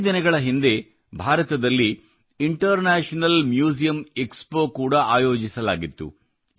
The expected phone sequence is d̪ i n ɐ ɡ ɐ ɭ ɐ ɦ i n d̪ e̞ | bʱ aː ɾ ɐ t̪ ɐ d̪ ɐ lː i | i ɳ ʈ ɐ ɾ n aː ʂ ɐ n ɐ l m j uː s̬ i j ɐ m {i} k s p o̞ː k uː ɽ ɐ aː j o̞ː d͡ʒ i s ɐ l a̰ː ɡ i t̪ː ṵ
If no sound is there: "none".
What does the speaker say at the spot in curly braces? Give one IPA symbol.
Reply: e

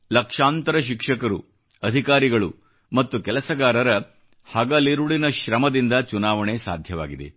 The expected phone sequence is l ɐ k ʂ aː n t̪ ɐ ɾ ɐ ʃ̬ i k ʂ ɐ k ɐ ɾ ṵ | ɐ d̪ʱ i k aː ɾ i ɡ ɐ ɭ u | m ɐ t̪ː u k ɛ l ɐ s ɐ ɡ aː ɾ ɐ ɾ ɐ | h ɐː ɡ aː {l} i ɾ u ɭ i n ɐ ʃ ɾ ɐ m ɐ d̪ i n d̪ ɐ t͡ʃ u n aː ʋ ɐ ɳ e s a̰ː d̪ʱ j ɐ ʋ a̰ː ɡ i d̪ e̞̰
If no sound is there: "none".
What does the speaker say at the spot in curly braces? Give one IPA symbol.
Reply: l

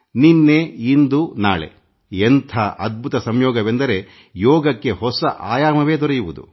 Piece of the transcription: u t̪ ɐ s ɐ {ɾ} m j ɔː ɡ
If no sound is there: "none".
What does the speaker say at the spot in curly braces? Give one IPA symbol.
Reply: none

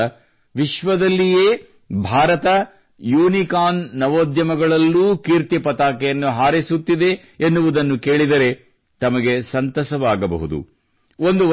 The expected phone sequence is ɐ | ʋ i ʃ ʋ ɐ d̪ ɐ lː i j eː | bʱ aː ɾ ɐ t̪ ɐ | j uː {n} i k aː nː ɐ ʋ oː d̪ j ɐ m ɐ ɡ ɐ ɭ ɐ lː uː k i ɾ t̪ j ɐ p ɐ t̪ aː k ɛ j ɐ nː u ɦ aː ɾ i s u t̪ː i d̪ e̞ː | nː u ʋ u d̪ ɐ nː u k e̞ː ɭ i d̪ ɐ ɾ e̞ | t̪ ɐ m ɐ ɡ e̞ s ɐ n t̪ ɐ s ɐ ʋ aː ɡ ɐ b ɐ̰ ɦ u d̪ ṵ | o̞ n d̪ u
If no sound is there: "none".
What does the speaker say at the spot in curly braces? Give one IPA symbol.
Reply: n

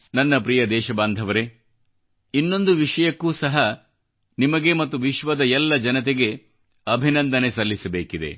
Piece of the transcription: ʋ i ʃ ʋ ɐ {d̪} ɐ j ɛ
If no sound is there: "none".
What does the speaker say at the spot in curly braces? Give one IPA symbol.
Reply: d̪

